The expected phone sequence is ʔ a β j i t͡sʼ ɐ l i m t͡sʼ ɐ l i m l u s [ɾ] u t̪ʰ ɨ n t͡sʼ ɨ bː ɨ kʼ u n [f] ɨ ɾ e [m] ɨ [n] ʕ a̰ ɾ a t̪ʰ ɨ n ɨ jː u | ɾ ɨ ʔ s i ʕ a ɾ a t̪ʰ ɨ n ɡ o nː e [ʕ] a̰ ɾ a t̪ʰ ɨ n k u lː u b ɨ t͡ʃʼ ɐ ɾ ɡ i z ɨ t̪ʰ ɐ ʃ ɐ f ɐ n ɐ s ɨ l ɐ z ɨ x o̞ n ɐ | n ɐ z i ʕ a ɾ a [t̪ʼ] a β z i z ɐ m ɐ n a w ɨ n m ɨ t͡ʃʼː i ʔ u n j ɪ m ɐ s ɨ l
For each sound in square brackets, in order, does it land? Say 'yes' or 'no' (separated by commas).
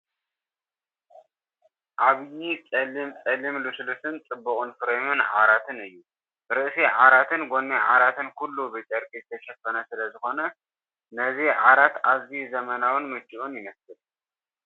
no, yes, yes, yes, yes, no